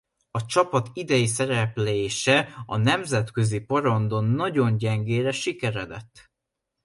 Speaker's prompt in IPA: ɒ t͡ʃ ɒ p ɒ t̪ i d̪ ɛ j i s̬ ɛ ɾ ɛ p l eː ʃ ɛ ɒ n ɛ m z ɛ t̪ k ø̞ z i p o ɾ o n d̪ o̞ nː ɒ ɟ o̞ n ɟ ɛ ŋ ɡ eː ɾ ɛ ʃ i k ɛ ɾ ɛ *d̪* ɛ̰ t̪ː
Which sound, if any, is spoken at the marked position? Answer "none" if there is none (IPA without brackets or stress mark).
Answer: d̪